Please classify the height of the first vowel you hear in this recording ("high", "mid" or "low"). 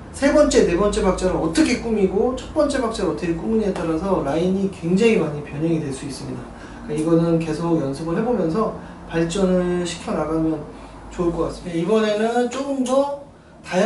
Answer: mid